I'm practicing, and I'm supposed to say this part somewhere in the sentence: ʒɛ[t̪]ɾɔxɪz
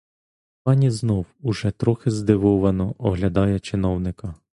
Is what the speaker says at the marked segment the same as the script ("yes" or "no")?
yes